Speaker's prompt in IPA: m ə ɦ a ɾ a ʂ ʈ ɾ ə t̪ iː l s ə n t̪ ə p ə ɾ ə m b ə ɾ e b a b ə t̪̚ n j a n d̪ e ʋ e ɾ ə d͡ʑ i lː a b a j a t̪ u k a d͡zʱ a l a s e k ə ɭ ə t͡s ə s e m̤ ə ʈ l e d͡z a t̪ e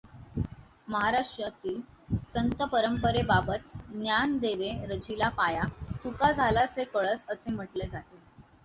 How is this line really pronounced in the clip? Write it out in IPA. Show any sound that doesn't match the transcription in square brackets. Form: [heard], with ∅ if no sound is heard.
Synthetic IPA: m ə ɦ a ɾ a ʂ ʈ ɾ ə t̪ iː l s ə n t̪ ə p ə ɾ ə m [p] ə ɾ e b a b ə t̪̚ n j a n d̪ e ʋ e ɾ ə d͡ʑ i [l] a [p] a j a t̪ u k a d͡zʱ a l a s e k ə ɭ ə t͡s ə s e m̤ ə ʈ l e d͡z a t̪ e